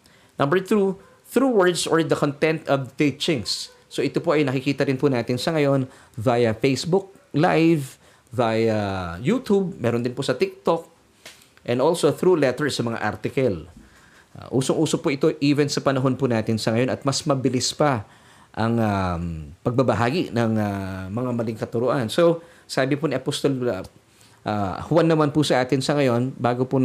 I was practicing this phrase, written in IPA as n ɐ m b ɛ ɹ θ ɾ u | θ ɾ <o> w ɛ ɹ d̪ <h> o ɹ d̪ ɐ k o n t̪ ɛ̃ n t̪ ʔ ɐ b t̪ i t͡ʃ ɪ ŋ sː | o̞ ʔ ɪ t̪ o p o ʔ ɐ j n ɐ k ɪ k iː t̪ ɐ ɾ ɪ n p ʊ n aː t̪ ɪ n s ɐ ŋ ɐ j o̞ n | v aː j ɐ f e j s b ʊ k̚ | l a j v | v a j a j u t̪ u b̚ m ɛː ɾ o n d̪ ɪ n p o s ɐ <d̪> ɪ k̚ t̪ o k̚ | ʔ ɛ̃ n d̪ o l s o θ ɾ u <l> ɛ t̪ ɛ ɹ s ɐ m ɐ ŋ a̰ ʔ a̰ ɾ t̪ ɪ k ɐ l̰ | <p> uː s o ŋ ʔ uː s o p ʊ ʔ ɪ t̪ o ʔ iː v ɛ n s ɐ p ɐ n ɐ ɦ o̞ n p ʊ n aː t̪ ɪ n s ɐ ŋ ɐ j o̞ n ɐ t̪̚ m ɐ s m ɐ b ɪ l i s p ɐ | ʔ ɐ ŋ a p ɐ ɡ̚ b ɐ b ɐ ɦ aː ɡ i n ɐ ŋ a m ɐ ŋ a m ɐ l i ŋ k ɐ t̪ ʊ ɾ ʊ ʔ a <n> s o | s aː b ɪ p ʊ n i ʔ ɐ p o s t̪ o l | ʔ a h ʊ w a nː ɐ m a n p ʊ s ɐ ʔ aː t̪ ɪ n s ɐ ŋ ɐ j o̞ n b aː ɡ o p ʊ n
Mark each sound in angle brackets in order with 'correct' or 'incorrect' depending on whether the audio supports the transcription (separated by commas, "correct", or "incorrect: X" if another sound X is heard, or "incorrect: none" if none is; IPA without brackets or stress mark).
incorrect: u, incorrect: s, incorrect: t̪, correct, incorrect: ʔ, correct